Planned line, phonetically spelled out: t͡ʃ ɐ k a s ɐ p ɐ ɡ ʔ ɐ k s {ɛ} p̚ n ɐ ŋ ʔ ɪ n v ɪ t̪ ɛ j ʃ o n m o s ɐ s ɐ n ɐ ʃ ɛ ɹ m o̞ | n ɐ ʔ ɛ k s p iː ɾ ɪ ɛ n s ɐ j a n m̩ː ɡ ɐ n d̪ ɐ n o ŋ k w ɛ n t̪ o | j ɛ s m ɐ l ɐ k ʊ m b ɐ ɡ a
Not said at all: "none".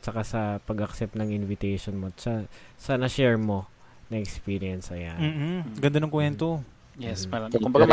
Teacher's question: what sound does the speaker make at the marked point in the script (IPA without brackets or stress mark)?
ɛ